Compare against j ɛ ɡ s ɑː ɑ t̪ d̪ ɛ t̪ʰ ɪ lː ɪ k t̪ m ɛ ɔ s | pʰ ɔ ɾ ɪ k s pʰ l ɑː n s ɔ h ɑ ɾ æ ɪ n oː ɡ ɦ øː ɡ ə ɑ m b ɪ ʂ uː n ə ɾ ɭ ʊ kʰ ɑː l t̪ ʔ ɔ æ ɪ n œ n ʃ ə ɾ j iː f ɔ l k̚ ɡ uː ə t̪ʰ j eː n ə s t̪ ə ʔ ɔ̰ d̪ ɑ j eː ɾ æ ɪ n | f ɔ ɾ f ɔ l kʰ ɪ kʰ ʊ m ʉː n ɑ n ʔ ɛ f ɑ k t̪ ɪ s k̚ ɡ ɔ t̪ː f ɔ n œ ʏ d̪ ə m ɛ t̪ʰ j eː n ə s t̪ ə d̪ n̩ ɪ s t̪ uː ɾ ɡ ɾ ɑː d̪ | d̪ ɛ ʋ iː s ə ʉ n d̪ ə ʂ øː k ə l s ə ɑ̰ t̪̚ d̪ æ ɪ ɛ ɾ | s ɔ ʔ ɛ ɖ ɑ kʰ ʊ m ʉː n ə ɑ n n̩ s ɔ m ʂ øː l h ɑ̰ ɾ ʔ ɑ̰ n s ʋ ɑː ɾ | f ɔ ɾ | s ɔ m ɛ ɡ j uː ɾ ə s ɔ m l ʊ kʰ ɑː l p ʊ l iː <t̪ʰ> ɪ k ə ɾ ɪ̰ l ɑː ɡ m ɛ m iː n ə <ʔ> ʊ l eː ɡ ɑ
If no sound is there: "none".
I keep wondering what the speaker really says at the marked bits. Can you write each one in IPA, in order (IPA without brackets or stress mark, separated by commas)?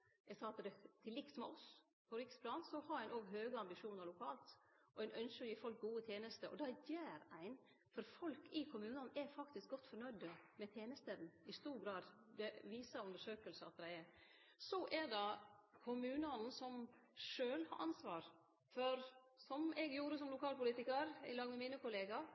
t̪, k